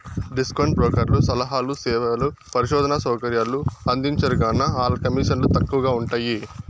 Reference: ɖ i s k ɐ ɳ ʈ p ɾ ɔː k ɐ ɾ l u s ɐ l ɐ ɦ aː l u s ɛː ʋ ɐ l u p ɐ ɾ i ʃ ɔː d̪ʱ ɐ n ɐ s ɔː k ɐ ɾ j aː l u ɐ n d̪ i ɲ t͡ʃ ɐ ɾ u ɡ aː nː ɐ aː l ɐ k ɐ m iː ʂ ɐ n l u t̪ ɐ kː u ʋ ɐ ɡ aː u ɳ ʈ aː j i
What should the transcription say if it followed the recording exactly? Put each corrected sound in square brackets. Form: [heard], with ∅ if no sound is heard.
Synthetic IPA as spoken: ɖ i s k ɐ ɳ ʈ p ɾ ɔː k ɐ ɾ l u s ɐ l ɐ ɦ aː l u s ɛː ʋ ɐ l u p ɐ ɾ i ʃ ɔː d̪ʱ ɐ n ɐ s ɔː k ɐ ɾ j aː l u ɐ n d̪ i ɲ t͡ʃ ɐ ɾ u ɡ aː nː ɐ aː l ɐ k ɐ m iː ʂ ɐ n l u t̪ ɐ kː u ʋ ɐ ɡ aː u ɳ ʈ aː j i